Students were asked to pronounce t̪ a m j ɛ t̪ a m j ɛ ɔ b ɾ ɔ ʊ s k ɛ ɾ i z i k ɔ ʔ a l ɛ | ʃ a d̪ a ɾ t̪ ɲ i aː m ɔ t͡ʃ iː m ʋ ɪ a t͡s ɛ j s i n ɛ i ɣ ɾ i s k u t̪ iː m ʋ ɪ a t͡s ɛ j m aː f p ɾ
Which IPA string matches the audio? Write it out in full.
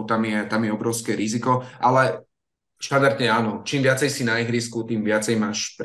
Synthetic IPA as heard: t̪ a m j ɛ t̪ a m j ɛ ɔ b ɾ ɔ ʊ s k ɛ ɾ i z i k ɔ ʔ a l ɛ | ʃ a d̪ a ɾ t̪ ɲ ɛ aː n ɔ t͡ʃ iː m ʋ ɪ a t͡s ɛ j s i n a i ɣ ɾ i s k u t̪ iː m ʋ ɪ a t͡s ɛ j m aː ʃ p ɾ